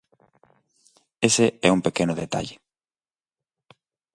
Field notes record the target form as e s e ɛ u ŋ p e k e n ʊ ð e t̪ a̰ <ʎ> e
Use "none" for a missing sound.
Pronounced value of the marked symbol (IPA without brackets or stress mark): ʎ